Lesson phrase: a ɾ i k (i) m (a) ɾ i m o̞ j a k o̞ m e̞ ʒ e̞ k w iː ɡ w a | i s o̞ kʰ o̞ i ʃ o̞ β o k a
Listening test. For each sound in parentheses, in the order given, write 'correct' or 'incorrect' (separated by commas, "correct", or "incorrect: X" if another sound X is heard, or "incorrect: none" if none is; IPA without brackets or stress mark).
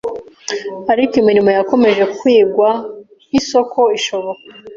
correct, incorrect: i